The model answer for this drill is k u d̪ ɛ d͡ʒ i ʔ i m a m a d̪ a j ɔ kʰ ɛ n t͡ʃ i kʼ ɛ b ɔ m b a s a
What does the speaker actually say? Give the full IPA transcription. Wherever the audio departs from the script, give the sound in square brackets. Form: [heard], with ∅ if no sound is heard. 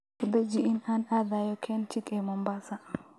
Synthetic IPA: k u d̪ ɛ d͡ʒ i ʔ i [n] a [n] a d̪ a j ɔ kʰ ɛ n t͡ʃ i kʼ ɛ [m] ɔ m b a s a